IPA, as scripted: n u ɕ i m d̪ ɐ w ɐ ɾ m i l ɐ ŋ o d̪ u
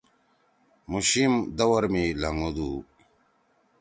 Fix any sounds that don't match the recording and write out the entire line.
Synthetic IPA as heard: m u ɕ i m d̪ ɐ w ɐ ɾ m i l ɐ ŋ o d̪ u

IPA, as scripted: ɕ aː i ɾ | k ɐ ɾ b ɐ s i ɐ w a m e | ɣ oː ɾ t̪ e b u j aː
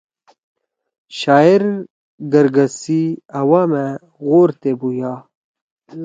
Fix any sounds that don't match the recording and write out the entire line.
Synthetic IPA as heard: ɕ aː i ɾ | ɡ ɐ ɾ ɡ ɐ s i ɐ w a m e | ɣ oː ɾ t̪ e b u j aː

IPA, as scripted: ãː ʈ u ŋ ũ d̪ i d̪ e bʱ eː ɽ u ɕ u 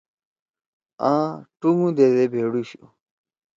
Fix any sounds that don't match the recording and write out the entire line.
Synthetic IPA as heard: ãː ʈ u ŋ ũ d̪ e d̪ e bʱ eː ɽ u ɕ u

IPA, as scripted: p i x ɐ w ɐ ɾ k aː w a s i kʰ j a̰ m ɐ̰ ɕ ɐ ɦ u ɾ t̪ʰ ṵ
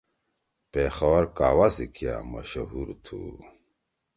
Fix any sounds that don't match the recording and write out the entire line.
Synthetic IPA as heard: p e x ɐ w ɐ ɾ k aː w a s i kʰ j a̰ m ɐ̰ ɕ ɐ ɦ u ɾ t̪ʰ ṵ

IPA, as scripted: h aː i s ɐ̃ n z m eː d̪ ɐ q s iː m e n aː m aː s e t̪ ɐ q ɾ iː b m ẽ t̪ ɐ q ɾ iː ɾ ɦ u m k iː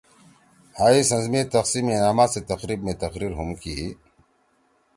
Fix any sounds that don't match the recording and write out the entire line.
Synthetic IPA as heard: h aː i s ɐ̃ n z m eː t̪ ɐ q s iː m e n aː m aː s e t̪ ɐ q ɾ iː b m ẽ t̪ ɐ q ɾ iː ɾ ɦ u m k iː

